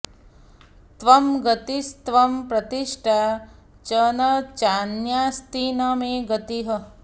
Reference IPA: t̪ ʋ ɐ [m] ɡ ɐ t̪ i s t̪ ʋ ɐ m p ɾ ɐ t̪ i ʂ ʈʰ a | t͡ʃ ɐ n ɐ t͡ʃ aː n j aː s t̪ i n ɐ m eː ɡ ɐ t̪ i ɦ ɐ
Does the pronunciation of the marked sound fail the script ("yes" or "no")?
no